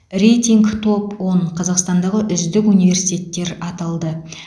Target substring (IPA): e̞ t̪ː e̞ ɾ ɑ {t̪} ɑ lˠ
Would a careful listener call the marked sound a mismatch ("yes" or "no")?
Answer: no